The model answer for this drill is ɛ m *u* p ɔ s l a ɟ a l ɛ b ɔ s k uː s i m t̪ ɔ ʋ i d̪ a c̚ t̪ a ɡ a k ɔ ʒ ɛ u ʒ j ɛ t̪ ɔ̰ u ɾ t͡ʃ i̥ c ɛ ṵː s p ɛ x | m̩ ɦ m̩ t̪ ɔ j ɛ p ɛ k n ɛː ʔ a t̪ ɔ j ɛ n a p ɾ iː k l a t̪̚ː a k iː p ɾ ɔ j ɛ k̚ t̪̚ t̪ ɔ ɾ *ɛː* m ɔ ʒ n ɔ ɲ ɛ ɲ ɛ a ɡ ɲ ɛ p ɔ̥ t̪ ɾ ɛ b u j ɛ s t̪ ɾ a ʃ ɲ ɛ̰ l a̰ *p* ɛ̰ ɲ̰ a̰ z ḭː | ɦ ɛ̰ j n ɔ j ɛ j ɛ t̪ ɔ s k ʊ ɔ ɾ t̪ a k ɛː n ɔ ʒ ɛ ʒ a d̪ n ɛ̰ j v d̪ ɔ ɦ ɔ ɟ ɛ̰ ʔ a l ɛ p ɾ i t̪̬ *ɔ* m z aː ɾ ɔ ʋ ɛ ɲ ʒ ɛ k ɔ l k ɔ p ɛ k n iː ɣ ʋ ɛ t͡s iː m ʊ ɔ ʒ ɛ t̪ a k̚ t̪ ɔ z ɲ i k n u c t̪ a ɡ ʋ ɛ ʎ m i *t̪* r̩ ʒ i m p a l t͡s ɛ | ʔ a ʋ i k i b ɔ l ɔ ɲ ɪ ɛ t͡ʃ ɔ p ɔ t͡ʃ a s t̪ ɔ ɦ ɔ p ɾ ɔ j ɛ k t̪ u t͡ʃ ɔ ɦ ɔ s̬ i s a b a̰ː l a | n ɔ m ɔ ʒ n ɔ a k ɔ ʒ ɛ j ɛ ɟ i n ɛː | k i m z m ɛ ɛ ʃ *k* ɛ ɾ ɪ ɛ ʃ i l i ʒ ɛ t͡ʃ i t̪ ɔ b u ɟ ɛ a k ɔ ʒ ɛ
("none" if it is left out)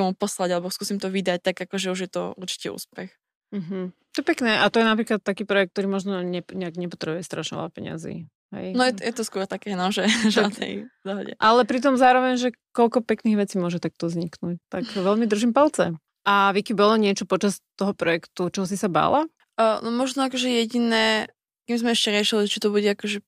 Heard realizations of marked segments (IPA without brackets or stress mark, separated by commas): u, iː, p, ɔ, d̪, c